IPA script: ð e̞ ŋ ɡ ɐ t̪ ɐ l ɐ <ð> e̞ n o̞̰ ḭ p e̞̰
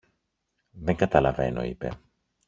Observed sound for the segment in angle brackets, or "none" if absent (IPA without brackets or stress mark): v